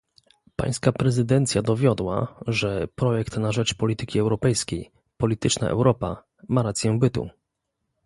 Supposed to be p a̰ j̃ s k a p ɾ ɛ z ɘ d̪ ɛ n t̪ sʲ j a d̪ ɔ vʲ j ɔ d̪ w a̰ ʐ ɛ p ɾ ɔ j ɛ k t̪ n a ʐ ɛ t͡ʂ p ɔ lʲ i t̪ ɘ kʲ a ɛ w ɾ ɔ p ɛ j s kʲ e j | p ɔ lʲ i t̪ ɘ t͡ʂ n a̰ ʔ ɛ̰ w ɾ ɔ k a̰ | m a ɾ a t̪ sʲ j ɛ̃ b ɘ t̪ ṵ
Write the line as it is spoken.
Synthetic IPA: p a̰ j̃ s k a p ɾ ɛ z ɘ d̪ ɛ n t̪ sʲ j a d̪ ɔ vʲ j ɔ d̪ w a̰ ʐ ɛ p ɾ ɔ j ɛ k t̪ n a ʐ ɛ t͡ʂ p ɔ lʲ i t̪ ɘ kʲ i ɛ w ɾ ɔ p ɛ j s kʲ e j | p ɔ lʲ i t̪ ɘ t͡ʂ n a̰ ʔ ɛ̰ w ɾ ɔ p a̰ | m a ɾ a t̪ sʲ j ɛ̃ b ɘ t̪ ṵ